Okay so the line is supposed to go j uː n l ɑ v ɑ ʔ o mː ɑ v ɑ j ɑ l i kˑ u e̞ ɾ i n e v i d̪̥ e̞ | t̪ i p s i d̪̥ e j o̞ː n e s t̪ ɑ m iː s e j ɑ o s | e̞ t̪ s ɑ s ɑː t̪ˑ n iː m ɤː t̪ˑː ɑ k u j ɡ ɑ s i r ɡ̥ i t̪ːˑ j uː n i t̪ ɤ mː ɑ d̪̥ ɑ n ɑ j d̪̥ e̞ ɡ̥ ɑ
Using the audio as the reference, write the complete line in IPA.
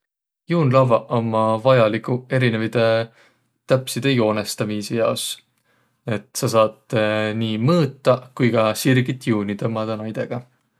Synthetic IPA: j uː n l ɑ v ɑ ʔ o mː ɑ v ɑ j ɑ l i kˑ u e̞ ɾ i n e v i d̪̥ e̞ | t̪ æ p s i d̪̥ e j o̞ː n e s t̪ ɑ m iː s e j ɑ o s | e̞ t̪ s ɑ s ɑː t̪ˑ n iː m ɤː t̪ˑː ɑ k u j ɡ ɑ s i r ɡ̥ i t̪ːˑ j uː n i t̪ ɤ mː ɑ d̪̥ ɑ n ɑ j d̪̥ e̞ ɡ̥ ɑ

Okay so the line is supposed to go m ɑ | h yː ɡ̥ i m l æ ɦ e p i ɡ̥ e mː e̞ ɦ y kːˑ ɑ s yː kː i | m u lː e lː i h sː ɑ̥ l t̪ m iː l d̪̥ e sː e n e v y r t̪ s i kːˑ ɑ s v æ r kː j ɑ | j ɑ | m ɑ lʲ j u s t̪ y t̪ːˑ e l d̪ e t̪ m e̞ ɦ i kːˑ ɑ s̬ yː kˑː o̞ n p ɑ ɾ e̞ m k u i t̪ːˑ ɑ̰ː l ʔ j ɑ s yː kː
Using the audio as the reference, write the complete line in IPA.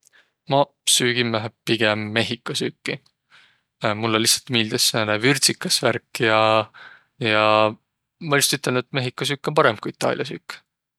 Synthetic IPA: m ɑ | s yː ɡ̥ i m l æ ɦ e p i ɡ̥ e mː e̞ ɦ i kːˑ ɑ s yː kː i | m u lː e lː i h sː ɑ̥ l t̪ m iː l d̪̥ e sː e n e v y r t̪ s i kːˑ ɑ s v æ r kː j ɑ | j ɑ | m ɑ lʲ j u s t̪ y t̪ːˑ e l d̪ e t̪ m e̞ ɦ i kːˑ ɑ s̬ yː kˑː o̞ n p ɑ ɾ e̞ m k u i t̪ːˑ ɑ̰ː l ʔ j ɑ s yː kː

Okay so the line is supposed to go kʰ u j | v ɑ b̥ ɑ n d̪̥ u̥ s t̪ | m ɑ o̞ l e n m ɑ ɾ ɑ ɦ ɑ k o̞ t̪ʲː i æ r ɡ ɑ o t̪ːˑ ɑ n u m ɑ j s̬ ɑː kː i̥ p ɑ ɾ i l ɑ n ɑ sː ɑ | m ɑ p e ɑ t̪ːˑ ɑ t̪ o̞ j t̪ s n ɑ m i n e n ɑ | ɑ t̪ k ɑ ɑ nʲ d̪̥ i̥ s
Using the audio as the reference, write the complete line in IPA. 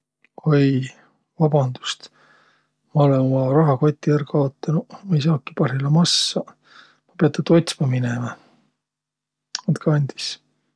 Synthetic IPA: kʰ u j | v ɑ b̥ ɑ n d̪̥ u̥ s t̪ | m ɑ o̞ l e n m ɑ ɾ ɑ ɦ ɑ k o̞ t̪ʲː i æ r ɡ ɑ o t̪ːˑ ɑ n u m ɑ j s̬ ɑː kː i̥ p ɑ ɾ i l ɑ m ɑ sː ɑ | m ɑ p e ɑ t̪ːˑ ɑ t̪ o̞ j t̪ s m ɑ m i n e m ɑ | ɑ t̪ k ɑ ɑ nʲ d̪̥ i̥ s

